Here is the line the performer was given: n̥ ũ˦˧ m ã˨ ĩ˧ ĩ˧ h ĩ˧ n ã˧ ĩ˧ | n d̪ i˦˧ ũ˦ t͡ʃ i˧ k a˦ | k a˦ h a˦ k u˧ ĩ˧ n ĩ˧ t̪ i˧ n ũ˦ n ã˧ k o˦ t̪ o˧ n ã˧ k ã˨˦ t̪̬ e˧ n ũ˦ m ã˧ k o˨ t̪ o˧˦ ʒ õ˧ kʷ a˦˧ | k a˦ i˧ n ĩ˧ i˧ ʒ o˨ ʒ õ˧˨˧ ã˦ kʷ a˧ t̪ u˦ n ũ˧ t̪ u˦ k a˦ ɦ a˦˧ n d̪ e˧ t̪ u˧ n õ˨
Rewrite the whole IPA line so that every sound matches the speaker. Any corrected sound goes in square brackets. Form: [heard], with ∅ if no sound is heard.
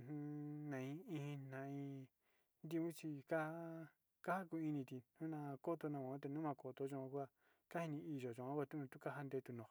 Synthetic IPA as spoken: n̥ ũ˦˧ [n] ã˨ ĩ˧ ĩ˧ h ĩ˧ n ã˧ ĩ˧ | n d̪ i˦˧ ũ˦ t͡ʃ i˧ k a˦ | k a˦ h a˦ k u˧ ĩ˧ n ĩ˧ t̪ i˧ n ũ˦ n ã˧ k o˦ t̪ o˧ n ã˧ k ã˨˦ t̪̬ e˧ n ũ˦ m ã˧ k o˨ t̪ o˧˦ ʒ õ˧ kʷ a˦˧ | k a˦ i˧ n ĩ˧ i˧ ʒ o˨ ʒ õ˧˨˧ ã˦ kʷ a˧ t̪ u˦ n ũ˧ t̪ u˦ k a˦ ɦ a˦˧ n d̪ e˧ t̪ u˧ n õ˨